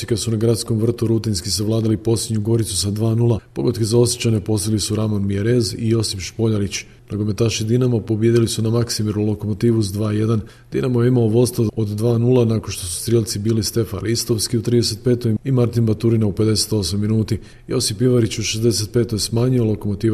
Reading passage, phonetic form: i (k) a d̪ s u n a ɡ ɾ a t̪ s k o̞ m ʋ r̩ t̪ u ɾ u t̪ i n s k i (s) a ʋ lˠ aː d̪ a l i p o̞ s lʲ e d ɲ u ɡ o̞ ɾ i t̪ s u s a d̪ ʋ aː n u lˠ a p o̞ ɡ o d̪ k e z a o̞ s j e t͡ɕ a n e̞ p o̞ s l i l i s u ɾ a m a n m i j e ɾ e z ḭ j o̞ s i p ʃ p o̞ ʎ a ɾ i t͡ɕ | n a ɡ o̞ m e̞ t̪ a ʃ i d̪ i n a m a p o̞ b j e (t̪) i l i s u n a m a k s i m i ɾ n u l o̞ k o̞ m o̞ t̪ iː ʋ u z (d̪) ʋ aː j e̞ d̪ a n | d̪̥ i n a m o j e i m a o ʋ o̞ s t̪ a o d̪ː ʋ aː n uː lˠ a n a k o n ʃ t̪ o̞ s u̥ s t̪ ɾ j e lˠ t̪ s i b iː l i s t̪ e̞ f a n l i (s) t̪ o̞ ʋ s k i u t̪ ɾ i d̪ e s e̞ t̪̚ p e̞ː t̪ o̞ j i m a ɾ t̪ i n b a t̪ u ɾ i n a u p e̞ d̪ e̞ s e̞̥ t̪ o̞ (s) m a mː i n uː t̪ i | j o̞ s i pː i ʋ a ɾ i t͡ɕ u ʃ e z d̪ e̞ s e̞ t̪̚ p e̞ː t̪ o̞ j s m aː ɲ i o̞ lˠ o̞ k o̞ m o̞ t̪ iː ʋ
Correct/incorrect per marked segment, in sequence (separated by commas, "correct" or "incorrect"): correct, correct, incorrect, correct, correct, correct